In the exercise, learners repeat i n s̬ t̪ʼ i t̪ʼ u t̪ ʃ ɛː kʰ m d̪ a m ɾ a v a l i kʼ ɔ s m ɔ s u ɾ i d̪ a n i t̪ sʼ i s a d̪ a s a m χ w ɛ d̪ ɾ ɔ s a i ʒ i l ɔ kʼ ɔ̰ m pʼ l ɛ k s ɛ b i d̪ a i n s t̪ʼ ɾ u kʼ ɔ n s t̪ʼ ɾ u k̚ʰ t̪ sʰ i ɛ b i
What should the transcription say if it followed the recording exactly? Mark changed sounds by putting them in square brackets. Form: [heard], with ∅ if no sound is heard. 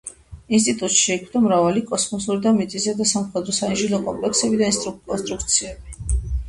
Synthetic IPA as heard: i n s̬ t̪ʼ i t̪ʼ u t̪ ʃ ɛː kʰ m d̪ a m ɾ a v a l i kʼ ɔ s m ɔ s u ɾ i d̪ a [m] i t̪ sʼ i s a d̪ a s a m χ w ɛ d̪ ɾ ɔ s a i ʒ i l ɔ kʼ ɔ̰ m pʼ l ɛ k s ɛ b i d̪ a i n s t̪ʼ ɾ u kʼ ɔ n s t̪ʼ ɾ u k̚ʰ t̪ sʰ i ɛ b i

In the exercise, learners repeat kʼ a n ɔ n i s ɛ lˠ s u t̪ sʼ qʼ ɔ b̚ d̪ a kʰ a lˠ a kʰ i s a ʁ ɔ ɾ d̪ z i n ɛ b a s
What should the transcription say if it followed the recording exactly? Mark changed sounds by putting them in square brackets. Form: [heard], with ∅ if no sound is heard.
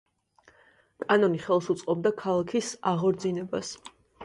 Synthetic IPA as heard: kʼ a n ɔ n i [χ] ɛ lˠ s u t̪ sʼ qʼ ɔ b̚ d̪ a kʰ a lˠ a kʰ i s a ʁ ɔ ɾ d̪ z i n ɛ b a s

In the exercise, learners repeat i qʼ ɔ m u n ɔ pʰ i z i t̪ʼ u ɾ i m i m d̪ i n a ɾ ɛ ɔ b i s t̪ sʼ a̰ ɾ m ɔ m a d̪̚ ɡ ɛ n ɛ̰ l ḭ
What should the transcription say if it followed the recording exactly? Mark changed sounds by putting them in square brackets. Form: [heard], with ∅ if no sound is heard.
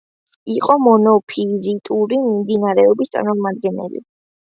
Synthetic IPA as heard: i qʼ ɔ m [ɔ] n ɔ pʰ i z i t̪ʼ u ɾ i m i m d̪ i n a ɾ ɛ ɔ b i s t̪ sʼ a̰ ɾ m ɔ m a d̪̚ ɡ ɛ n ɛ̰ l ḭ

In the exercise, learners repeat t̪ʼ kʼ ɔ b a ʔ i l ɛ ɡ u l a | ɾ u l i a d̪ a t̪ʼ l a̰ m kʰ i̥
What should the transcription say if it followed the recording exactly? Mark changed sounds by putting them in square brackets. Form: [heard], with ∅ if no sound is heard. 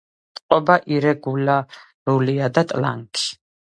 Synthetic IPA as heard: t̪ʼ [qʼ] ɔ b a ʔ i [ɾ] ɛ ɡ u l a | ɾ u l i a d̪ a t̪ʼ l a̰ [ŋ] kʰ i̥

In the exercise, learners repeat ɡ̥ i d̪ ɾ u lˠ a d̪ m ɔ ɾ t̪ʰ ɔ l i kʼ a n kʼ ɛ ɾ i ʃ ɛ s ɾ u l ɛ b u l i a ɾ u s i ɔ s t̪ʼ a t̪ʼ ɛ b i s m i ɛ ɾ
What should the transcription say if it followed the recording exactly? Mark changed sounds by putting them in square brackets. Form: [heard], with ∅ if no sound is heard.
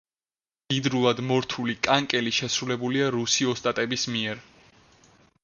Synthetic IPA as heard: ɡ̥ i d̪ ɾ u lˠ a d̪ m ɔ ɾ t̪ʰ [u] l i kʼ a [ŋ] kʼ ɛ [l] i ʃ ɛ s ɾ u l ɛ b u l i a ɾ u s i ɔ s t̪ʼ a t̪ʼ ɛ b i s m i ɛ ɾ

